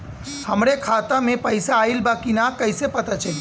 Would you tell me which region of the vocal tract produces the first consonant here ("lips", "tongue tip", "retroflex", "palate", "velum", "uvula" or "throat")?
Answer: throat